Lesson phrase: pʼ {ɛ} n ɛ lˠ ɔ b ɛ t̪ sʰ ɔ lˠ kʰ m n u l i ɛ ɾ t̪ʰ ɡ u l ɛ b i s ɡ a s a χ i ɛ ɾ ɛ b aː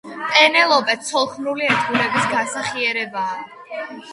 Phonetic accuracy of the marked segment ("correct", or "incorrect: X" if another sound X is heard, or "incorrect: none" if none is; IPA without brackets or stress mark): correct